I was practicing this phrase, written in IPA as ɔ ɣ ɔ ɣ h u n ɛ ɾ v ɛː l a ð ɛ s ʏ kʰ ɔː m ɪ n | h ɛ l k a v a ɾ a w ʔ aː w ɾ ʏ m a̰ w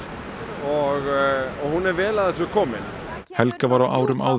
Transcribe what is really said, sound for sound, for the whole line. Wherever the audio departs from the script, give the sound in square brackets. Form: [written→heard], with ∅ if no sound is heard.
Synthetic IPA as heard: ɔ ɣ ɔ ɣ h u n ɛ ɾ v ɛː l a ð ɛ s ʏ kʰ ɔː m ɪ n | h ɛ l k a v a ɾ a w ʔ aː w ɾ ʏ m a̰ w